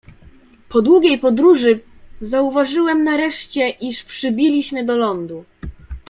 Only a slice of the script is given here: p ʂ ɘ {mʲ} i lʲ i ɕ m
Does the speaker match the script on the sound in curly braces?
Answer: no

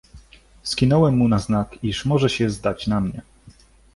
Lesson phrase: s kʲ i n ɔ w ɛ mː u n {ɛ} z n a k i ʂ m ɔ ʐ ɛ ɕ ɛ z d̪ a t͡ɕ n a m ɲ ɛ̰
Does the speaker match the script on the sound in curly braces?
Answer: no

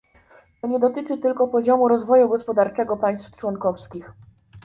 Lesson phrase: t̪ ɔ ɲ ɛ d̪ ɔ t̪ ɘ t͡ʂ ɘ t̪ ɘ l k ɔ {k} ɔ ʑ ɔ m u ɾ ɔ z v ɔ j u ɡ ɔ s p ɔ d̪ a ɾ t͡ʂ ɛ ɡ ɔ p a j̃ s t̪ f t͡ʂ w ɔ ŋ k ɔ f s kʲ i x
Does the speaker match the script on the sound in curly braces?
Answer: no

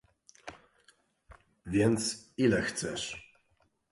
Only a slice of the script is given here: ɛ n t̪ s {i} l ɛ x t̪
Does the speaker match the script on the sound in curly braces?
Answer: yes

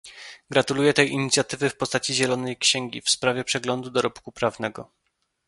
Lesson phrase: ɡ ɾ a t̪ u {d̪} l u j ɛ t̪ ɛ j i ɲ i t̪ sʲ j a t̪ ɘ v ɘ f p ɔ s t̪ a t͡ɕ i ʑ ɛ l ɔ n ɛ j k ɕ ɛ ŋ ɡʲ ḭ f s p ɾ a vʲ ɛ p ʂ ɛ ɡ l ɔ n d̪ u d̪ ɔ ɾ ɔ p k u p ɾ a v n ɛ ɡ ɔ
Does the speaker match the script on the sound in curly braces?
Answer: no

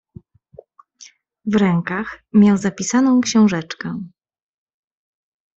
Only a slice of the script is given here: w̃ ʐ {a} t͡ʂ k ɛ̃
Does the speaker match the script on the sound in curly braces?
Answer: no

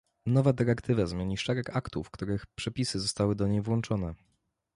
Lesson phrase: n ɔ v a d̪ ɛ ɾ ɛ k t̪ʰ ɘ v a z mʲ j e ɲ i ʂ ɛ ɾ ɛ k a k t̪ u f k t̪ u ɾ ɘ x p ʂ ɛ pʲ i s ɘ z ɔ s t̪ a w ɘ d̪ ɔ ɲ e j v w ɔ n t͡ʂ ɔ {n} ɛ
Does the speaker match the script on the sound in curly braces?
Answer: yes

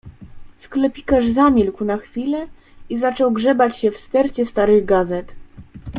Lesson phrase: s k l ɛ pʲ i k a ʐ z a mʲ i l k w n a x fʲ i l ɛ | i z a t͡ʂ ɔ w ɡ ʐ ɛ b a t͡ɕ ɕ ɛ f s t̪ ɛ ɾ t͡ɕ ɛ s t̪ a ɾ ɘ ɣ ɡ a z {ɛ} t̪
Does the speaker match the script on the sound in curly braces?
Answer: yes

